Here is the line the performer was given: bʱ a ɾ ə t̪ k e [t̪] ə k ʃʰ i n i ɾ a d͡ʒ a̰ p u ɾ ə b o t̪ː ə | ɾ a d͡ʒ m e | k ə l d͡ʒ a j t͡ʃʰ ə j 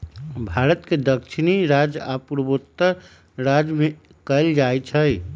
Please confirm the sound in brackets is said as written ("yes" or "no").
no